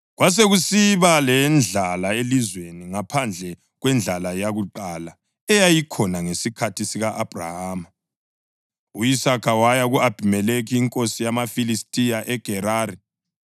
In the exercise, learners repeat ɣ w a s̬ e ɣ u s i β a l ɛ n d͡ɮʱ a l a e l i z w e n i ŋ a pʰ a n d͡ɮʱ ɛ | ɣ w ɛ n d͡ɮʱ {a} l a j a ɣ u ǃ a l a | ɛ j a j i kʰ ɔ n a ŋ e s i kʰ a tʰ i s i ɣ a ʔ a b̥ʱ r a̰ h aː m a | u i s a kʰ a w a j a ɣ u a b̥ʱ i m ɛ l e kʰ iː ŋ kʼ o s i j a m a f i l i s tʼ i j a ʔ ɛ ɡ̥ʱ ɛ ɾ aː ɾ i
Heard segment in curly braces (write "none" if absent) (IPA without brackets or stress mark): a